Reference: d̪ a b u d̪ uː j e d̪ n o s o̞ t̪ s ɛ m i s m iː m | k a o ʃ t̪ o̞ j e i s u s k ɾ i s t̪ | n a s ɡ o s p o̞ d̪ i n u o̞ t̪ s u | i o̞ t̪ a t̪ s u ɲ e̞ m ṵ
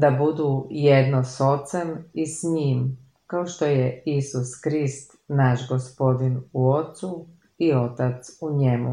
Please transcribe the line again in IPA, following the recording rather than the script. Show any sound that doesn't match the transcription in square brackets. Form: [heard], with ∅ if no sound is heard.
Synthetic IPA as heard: d̪ a b u d̪ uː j e d̪ n o s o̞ t̪ s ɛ m i s [ɲ] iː m | k a o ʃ t̪ o̞ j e i s u s k ɾ i s t̪ | n a [ʃ] ɡ o s p o̞ d̪ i n u o̞ t̪ s u | i o̞ t̪ a t̪ s u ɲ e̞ m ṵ